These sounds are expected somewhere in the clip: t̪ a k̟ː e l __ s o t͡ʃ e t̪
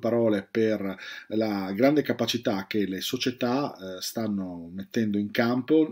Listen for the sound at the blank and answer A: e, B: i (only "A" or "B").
A